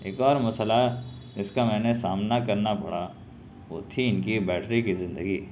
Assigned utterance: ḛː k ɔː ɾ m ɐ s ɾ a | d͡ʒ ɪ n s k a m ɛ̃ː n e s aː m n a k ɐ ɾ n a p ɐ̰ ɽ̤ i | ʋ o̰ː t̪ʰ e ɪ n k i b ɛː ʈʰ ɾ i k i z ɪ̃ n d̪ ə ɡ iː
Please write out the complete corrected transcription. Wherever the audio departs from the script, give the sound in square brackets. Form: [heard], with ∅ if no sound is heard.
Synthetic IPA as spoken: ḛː k ɔː ɾ m ɐ s [l] a | d͡ʒ ɪ [∅] s k a m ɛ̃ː n e s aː m n a k ɐ ɾ n a p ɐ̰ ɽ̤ [a] | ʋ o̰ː t̪ʰ [i] ɪ n k i b ɛː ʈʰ ɾ i k i z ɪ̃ n d̪ ə ɡ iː